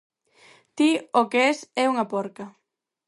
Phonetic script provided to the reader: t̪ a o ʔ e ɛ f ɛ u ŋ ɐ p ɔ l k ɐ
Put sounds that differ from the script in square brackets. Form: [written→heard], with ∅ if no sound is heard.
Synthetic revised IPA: t̪ [a→i] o [ʔ→k] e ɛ [f→s] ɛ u ŋ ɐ p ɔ [l→ɾ] k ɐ